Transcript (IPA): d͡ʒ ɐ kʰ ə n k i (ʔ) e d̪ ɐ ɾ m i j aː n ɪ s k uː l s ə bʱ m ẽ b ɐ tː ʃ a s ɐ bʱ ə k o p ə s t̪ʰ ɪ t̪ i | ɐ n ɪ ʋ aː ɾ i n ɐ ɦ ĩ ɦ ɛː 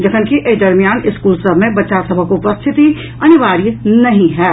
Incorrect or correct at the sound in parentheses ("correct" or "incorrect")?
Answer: correct